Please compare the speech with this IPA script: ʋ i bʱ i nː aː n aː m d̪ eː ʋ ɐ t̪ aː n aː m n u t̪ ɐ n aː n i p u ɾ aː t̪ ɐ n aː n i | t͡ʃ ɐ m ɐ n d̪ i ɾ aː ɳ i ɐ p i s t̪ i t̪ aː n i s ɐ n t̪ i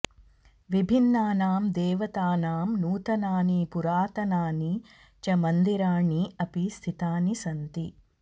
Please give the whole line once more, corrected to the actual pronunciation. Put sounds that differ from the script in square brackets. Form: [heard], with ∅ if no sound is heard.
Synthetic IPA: ʋ i bʱ i nː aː n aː m d̪ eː ʋ ɐ t̪ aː n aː m n [uː] t̪ ɐ n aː n i p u ɾ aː t̪ ɐ n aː n i | t͡ʃ ɐ m ɐ n d̪ i ɾ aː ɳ i ɐ p i s [t̪ʰ] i t̪ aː n i s ɐ n t̪ i

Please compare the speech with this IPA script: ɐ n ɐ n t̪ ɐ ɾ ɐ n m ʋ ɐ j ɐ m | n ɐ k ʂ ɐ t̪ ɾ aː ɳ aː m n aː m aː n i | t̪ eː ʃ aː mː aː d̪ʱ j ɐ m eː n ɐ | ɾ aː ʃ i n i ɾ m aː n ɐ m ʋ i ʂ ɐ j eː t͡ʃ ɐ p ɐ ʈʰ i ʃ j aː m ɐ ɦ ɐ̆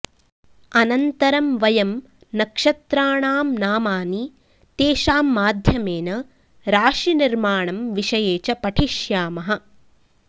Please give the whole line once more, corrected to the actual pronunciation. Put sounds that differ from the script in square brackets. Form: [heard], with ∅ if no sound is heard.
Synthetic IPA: ɐ n ɐ n t̪ ɐ ɾ ɐ [∅] m ʋ ɐ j ɐ m | n ɐ k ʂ ɐ t̪ ɾ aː ɳ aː m n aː m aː n i | t̪ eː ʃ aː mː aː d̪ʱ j ɐ m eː n ɐ | ɾ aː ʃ i n i ɾ m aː [ɳ] ɐ m ʋ i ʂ ɐ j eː t͡ʃ ɐ p ɐ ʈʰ i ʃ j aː m ɐ ɦ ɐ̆

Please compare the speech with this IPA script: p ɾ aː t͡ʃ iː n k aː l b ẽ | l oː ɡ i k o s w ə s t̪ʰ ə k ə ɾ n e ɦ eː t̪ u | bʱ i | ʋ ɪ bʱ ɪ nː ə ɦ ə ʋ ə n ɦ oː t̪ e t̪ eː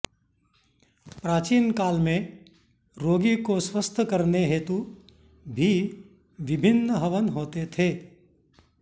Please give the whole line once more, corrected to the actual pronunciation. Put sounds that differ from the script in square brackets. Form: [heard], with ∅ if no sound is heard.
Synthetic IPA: p ɾ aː t͡ʃ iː n k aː l [m] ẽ | [ɾ] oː ɡ i k o s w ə s t̪ʰ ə k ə ɾ n e ɦ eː t̪ u | bʱ i | ʋ ɪ bʱ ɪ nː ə ɦ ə ʋ ə n ɦ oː t̪ e [t̪ʰ] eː

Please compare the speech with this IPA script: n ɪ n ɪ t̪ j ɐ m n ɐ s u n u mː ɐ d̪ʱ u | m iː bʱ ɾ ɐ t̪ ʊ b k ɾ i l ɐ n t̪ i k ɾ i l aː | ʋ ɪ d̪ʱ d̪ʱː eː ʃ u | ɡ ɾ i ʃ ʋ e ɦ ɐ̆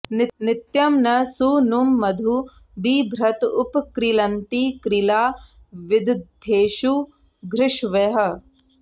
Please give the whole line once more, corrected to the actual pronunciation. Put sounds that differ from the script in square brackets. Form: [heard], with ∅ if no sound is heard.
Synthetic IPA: n ɪ n ɪ t̪ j ɐ m n ɐ s u n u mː ɐ d̪ʱ u | [b] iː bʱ ɾ ɐ t̪ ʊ [p] k ɾ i l ɐ n t̪ i k ɾ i l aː | ʋ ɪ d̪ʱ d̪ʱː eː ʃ u | ɡ ɾ [ɪ] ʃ ʋ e ɦ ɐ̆

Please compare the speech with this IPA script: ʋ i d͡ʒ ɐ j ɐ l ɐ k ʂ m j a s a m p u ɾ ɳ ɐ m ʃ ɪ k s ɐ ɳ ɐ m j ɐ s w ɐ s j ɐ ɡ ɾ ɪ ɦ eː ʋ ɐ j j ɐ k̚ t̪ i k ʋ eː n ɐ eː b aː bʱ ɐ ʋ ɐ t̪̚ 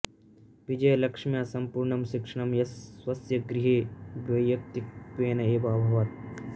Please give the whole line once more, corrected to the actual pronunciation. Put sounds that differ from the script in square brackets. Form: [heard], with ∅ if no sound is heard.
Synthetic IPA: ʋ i d͡ʒ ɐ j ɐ l ɐ k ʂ m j a s [ɐ] m p u ɾ ɳ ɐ m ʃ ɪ k [ʂ] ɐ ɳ ɐ m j ɐ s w ɐ s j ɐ ɡ ɾ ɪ ɦ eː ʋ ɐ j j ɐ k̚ t̪ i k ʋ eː n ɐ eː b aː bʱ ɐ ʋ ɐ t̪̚

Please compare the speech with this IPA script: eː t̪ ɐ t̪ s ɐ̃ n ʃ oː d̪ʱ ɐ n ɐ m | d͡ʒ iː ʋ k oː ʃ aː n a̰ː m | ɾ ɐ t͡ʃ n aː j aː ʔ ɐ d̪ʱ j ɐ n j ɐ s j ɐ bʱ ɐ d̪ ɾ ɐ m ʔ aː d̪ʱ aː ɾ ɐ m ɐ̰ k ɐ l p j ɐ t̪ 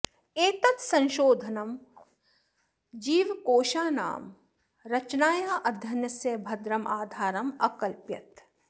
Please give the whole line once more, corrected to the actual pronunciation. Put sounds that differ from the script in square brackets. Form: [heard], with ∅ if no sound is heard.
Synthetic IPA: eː t̪ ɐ t̪ s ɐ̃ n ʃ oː d̪ʱ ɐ n ɐ m | d͡ʒ iː ʋ k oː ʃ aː n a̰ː m | ɾ ɐ t͡ʃ n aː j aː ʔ ɐ d̪ʱ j ɐ n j ɐ s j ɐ bʱ ɐ d̪ ɾ ɐ m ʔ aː d̪ʱ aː ɾ ɐ m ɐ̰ k ɐ l p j ɐ t̪

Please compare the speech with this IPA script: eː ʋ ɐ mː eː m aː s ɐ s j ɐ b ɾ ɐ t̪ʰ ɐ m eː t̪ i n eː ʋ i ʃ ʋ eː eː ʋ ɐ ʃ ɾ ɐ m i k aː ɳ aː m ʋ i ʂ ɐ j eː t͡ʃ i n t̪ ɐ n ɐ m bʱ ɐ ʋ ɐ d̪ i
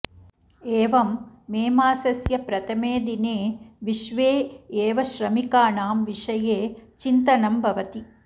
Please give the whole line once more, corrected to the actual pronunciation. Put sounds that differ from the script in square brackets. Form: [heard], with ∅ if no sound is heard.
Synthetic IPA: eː ʋ ɐ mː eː m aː s ɐ s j ɐ [p] ɾ ɐ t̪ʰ ɐ m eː [d̪] i n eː ʋ i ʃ ʋ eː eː ʋ ɐ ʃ ɾ ɐ m i k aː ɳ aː m ʋ i ʂ ɐ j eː t͡ʃ i n t̪ ɐ n ɐ m bʱ ɐ ʋ ɐ [t̪] i

